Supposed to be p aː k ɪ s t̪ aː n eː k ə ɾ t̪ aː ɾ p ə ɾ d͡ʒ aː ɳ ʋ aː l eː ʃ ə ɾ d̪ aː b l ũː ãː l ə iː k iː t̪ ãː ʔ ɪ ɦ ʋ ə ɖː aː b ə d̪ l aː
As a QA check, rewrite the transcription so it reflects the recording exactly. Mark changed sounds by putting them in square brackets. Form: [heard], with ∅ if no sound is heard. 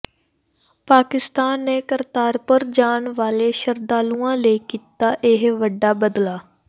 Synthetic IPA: p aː k ɪ s t̪ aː [nː] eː k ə ɾ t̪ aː ɾ p ə ɾ d͡ʒ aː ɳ ʋ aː l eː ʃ ə ɾ d̪ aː [∅] l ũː ãː l ə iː k iː t̪ [aː] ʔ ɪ ɦ ʋ ə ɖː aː b ə d̪ l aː

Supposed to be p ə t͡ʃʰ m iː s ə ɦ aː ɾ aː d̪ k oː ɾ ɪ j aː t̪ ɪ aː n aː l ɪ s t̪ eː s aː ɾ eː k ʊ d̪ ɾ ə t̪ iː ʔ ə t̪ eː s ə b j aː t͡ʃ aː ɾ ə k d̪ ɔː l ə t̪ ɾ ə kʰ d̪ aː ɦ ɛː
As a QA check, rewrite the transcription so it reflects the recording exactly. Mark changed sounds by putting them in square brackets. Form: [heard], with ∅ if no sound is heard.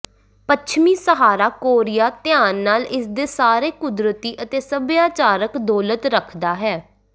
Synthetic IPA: p ə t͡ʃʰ m iː s ə ɦ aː ɾ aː [∅] k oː ɾ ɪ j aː t̪ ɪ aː [nː] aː l ɪ s [d̪] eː s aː ɾ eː k ʊ d̪ ɾ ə t̪ iː ʔ ə t̪ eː s ə b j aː t͡ʃ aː ɾ ə k d̪ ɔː l ə t̪ ɾ ə kʰ d̪ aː ɦ ɛː

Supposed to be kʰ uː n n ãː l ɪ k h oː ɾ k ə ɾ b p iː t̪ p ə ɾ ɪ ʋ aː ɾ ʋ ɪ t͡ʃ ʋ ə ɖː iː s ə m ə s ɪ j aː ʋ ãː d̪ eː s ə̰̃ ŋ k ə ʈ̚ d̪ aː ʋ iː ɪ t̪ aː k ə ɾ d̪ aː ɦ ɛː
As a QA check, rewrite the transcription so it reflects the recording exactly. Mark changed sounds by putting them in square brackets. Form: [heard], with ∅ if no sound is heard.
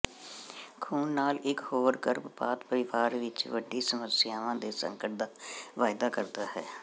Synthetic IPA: kʰ uː n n [aː] l ɪ k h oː ɾ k ə ɾ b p [aː] t̪ p ə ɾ ɪ ʋ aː ɾ ʋ ɪ t͡ʃ ʋ ə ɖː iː s ə m ə s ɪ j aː ʋ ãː d̪ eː s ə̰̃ ŋ k ə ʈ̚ d̪ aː ʋ [aː] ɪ [d̪] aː k ə ɾ d̪ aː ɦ ɛː

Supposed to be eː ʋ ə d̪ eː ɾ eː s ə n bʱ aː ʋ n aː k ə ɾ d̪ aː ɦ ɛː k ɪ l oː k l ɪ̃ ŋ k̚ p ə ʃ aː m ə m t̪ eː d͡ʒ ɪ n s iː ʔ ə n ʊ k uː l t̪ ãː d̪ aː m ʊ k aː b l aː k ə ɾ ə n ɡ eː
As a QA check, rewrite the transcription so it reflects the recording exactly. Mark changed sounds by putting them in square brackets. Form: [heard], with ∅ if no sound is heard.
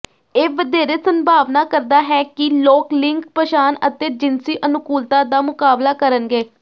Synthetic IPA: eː ʋ ə d̪ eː ɾ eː s ə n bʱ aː ʋ n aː k ə ɾ d̪ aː ɦ ɛː k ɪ l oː k l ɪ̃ ŋ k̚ p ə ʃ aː [n] ə [∅] t̪ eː d͡ʒ ɪ n s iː ʔ ə n ʊ k uː l t̪ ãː d̪ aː m ʊ k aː b l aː k ə ɾ ə n ɡ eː

